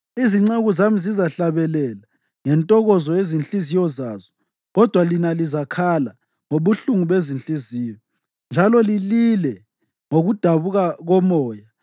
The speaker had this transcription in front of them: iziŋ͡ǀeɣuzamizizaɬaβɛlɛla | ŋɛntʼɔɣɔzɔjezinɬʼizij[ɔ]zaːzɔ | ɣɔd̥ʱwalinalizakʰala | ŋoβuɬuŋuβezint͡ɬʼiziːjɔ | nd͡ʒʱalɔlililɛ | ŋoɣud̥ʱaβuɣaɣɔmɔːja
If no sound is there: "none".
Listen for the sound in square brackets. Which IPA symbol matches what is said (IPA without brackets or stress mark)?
ɔ